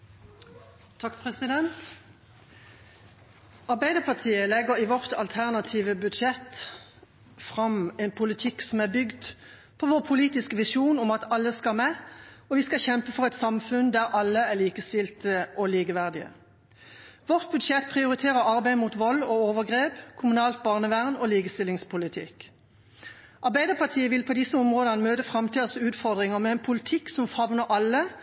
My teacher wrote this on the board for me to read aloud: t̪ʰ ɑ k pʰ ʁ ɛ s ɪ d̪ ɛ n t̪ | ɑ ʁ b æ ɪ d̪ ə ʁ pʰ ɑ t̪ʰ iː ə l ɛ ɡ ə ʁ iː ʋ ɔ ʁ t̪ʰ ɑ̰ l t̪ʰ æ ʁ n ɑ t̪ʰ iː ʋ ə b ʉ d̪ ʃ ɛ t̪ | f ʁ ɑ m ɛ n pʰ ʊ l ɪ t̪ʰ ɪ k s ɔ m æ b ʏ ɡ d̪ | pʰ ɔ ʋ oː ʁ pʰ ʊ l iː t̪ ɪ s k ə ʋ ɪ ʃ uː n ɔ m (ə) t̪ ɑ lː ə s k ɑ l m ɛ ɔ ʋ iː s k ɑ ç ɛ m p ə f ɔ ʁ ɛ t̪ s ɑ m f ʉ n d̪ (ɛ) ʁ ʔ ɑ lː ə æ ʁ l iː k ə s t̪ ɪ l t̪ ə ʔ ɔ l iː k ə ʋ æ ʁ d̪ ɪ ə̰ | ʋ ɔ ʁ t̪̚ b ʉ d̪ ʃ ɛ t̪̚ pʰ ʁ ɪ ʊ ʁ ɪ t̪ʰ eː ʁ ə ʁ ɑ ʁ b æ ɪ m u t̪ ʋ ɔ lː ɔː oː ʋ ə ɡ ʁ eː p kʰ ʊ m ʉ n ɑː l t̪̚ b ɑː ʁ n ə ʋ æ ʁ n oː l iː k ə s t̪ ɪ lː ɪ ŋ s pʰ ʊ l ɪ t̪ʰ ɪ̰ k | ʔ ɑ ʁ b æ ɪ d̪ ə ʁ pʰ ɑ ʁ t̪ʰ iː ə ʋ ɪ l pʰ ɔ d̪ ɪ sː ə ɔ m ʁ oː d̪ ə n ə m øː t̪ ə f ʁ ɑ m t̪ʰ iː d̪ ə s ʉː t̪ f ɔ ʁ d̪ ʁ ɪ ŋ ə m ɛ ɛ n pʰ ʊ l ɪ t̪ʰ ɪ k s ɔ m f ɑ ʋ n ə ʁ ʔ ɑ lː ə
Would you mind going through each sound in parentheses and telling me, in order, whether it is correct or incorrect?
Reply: incorrect: ɑ, incorrect: æ

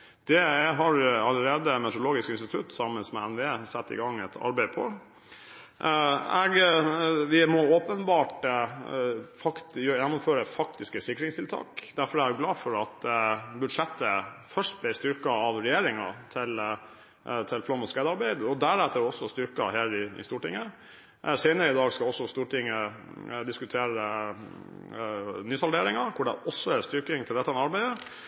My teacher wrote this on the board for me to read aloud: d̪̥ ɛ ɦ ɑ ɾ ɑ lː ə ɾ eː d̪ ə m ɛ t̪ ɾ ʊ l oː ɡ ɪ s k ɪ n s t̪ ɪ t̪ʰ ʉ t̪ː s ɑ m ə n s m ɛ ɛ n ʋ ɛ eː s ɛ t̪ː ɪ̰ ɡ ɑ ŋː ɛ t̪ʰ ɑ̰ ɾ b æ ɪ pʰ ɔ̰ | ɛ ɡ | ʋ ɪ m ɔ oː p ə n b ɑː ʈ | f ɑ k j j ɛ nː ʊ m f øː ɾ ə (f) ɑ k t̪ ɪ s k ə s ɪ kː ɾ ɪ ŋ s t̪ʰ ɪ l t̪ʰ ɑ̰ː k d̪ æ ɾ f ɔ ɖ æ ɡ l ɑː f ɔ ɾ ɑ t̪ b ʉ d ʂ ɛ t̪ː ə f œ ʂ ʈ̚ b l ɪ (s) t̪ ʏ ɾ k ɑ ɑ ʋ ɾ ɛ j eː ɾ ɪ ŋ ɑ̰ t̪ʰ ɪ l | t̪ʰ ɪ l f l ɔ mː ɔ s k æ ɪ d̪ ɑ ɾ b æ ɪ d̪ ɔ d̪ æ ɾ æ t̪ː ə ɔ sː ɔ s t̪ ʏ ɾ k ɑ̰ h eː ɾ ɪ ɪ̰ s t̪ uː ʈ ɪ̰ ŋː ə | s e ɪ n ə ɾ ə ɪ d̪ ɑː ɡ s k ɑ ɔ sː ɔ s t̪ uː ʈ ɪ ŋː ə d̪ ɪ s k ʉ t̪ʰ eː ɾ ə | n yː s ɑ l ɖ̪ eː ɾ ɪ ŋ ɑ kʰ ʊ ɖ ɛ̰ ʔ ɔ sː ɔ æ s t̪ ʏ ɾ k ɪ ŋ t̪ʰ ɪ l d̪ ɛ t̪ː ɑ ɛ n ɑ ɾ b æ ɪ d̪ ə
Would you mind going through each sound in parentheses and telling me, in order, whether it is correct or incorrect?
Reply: correct, correct

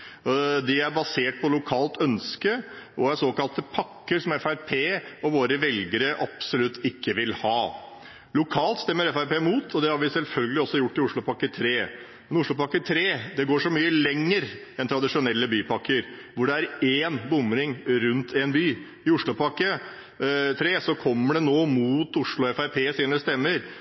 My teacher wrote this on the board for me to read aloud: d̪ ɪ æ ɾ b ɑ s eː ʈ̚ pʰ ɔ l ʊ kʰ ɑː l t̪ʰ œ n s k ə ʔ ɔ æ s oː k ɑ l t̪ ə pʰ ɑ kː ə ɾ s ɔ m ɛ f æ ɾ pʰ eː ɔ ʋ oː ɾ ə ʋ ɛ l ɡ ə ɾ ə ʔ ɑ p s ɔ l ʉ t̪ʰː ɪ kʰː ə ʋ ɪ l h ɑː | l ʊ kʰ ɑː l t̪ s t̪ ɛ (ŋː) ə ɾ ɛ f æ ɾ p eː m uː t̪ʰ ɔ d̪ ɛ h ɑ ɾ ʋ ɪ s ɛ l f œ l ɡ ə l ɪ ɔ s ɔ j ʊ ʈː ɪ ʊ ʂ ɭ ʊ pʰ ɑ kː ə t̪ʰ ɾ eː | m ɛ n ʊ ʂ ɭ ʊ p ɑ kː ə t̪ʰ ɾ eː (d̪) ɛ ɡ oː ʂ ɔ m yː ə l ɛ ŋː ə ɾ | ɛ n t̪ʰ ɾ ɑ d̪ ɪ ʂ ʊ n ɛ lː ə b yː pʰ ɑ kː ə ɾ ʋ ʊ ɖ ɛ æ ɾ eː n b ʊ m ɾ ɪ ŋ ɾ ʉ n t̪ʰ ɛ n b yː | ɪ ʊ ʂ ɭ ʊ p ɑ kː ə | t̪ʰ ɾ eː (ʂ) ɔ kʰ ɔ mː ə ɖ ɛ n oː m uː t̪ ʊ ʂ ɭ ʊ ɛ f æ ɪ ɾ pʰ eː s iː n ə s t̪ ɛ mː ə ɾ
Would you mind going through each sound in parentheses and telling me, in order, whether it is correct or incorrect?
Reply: incorrect: mː, correct, incorrect: s

